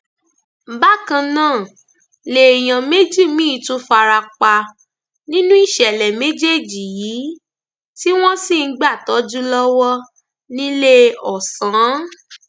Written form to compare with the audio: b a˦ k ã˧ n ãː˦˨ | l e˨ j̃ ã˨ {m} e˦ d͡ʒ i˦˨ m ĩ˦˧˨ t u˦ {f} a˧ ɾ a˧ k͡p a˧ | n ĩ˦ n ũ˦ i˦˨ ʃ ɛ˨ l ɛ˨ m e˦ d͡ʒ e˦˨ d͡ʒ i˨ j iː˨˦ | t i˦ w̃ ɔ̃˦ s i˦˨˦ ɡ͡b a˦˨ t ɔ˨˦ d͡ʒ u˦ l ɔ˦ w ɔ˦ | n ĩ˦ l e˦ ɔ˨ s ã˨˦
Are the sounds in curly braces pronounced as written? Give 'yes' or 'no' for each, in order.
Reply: yes, yes

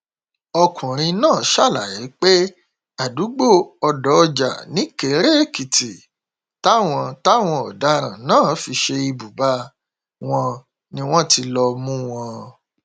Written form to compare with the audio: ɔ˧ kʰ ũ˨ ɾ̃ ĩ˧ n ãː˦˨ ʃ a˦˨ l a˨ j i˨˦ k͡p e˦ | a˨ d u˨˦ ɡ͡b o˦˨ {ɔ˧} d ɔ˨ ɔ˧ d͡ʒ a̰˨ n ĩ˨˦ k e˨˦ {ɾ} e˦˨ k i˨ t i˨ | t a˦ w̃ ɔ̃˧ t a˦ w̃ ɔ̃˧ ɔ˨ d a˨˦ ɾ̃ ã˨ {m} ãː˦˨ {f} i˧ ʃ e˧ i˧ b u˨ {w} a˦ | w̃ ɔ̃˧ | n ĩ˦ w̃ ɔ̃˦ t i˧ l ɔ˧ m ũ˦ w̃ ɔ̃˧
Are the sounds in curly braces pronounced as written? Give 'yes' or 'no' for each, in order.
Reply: yes, yes, no, yes, no

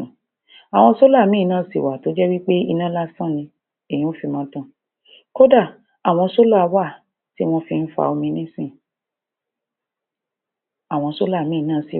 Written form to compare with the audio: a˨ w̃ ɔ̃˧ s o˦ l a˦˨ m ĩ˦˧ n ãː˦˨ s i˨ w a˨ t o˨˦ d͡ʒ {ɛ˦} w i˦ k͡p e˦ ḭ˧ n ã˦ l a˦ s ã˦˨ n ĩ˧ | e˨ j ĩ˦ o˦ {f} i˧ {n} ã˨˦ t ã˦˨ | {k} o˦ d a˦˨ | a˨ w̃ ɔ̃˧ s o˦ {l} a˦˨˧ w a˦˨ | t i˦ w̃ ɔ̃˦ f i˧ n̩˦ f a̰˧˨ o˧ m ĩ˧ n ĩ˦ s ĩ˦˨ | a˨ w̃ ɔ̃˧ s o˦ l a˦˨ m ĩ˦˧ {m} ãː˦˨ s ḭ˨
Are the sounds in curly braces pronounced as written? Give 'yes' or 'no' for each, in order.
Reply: yes, yes, no, yes, yes, no

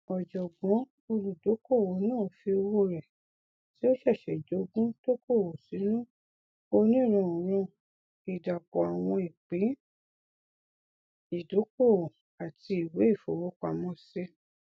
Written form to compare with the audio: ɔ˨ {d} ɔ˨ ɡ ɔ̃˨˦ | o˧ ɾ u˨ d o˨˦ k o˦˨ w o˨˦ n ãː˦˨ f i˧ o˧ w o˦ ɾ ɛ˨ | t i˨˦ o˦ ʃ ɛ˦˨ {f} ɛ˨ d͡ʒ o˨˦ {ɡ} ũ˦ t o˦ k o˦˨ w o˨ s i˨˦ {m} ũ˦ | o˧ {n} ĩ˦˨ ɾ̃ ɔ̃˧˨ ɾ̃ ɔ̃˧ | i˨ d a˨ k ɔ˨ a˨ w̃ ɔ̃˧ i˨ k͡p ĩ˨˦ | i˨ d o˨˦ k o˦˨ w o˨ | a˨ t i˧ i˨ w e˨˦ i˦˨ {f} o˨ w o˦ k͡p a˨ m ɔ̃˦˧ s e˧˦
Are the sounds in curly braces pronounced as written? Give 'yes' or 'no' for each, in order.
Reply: no, no, yes, no, yes, yes

